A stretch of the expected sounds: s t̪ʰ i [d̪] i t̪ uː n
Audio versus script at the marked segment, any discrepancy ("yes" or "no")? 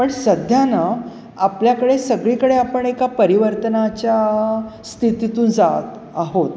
yes